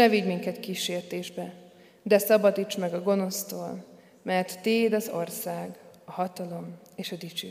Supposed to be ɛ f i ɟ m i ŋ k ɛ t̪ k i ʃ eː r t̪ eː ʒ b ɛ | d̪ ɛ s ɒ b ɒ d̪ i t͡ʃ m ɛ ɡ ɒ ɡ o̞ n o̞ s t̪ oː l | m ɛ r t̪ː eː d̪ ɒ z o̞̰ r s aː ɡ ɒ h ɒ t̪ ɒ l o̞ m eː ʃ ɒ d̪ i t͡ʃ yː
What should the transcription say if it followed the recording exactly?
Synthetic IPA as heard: ɛ v i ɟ m i ŋ k ɛ t̪ k i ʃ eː r t̪ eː ʒ b ɛ | d̪ ɛ s ɒ b ɒ d̪ i t͡ʃ m ɛ ɡ ɒ ɡ o̞ n o̞ s t̪ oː l | m ɛ r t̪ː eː d̪ ɒ z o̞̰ r s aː ɡ ɒ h ɒ t̪ ɒ l o̞ m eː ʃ ɒ d̪ i t͡ʃ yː